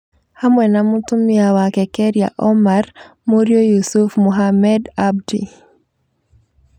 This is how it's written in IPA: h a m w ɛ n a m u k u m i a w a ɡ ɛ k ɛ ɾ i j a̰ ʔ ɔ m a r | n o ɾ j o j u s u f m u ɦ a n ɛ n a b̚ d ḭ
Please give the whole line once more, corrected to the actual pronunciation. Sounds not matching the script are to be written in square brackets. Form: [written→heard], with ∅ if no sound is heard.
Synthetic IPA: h a m w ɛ n a m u [k→t] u m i a w a [ɡ→k] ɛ k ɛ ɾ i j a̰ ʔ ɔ m a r | [n→m] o ɾ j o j u s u f m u ɦ a [n→m] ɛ [n→d] a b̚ d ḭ

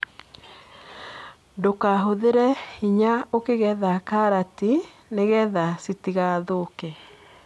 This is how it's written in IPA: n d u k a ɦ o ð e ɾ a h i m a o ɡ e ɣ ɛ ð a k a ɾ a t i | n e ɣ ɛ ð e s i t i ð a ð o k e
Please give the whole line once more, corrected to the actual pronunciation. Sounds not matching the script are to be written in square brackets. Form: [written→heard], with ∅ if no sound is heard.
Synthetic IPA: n d [u→o] k a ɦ o ð e ɾ [a→ɛ] h i [m→ɲ] a o [ɡ→k] e ɣ ɛ ð a k a ɾ a t i | n e ɣ ɛ ð [e→a] s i t i [ð→ɣ] a ð o k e

